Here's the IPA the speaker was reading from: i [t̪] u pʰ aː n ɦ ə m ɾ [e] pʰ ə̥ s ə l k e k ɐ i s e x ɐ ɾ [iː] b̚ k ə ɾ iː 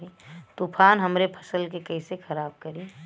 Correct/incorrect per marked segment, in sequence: correct, correct, incorrect: aː

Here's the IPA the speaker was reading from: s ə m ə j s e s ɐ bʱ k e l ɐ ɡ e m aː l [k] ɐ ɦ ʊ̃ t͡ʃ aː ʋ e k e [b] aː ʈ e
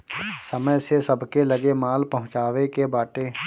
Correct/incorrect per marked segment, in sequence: incorrect: p, correct

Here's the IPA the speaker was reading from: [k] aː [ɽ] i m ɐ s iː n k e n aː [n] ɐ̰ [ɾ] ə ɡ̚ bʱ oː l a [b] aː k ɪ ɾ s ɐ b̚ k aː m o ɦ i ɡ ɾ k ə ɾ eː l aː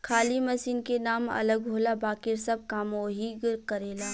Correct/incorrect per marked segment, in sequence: incorrect: kʰ, incorrect: l, incorrect: m, incorrect: l, correct

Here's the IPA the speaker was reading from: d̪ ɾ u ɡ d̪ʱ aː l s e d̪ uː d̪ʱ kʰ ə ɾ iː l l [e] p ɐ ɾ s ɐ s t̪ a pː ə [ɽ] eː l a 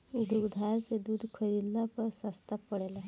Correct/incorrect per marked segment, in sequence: incorrect: a, correct

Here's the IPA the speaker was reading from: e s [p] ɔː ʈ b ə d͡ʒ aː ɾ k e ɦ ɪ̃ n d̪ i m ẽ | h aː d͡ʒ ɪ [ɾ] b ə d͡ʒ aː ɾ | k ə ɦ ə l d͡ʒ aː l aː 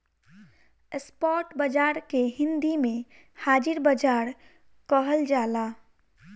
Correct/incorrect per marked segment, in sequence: correct, correct

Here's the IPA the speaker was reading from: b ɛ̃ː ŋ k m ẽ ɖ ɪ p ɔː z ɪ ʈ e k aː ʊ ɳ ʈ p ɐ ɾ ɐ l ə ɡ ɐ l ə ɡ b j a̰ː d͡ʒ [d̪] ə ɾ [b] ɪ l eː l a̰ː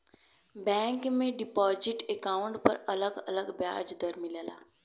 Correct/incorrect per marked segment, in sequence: correct, incorrect: m

